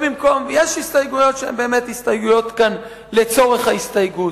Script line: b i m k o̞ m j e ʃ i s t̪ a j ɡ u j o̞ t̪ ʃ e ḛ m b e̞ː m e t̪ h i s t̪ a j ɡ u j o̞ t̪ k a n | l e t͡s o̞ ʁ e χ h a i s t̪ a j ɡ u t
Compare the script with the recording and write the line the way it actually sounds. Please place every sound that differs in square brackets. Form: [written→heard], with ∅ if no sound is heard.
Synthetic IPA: b i m k o̞ m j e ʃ i s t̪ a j ɡ u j o̞ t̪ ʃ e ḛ m b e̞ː m e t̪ h i s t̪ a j ɡ u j o̞ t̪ k a n | l e t͡s o̞ ʁ e χ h a i s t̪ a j ɡ u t